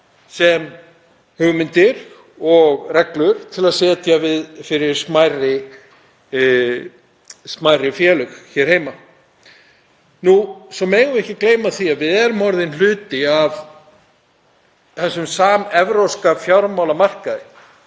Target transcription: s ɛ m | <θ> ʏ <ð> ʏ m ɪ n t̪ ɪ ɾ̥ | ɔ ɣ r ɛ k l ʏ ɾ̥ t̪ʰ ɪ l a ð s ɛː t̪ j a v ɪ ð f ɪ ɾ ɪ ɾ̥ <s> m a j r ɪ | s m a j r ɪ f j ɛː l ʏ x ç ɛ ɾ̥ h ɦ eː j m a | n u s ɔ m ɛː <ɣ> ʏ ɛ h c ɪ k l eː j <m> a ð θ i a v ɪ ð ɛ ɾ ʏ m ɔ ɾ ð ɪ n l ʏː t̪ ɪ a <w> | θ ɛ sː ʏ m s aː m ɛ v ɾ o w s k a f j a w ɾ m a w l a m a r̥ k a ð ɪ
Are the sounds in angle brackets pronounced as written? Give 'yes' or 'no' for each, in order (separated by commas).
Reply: no, no, yes, yes, yes, no